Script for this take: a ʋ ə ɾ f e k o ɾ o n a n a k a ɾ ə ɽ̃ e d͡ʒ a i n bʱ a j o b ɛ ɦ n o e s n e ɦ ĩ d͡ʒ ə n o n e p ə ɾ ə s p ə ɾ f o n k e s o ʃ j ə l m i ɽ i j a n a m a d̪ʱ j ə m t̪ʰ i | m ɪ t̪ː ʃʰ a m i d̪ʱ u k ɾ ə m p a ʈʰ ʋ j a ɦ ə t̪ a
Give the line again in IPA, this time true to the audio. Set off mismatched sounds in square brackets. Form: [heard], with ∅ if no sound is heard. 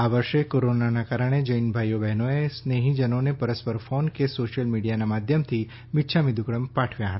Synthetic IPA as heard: a ʋ ə ɾ [ʃ] e k o ɾ o n a n a k a ɾ ə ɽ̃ e d͡ʒ [ə] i n bʱ a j o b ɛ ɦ n o e s n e ɦ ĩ d͡ʒ ə n o n e p ə ɾ ə s p ə ɾ f o n k e s o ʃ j ə l m i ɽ i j a n a m a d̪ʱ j ə m t̪ʰ i | m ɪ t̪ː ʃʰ a m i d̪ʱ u k ɾ ə m p a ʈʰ ʋ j a ɦ ə t̪ a